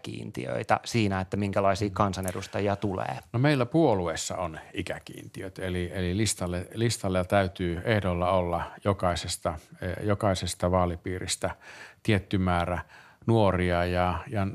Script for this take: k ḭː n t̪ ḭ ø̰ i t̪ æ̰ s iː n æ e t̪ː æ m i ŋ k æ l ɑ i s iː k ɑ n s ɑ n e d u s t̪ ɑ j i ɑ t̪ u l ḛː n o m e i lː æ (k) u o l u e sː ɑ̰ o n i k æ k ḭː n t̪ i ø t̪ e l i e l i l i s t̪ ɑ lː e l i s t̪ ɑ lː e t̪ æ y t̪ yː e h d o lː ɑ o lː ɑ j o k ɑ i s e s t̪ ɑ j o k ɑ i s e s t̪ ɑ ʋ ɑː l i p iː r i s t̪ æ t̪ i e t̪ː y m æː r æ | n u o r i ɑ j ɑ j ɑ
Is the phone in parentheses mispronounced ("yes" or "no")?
yes